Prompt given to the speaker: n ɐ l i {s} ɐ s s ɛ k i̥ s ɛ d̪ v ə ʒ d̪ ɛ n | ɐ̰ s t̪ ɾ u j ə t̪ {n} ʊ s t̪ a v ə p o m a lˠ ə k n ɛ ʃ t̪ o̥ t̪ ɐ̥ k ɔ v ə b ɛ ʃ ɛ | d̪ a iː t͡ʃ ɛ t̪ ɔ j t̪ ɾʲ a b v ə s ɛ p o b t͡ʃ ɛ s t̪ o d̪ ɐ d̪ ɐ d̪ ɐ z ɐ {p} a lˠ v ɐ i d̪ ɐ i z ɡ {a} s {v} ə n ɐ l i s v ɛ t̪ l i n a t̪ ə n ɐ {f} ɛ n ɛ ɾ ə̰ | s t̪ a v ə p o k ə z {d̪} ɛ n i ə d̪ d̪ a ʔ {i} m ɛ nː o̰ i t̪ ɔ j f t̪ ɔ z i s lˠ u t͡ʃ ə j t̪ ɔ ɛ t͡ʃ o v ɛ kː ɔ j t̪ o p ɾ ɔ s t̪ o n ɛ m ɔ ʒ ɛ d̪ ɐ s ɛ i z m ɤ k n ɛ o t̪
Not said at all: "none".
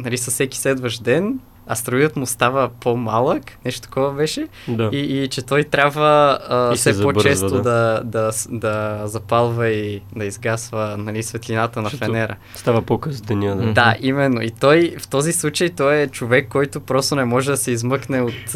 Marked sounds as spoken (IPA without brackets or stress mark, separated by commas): s, m, p, a, v, f, d̪, i